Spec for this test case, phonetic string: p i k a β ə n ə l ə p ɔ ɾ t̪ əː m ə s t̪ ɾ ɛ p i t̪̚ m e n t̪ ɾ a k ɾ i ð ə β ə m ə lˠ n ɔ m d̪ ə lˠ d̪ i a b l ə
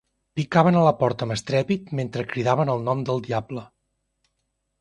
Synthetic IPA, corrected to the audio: p i k a β ə n ə l ə p ɔ ɾ t̪ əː m ə s t̪ ɾ ɛ p i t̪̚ m e n t̪ ɾ ə k ɾ i ð a β ə n ə lˠ n ɔ m d̪ ə lˠ d̪ i a b l ə